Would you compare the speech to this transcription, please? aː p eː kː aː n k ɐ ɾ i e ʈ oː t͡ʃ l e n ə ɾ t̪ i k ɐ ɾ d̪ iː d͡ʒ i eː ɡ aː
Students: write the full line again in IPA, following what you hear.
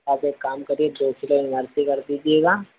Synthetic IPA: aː p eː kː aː m k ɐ ɾ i e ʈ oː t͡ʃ l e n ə ɾ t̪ i k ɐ ɾ d̪ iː d͡ʒ i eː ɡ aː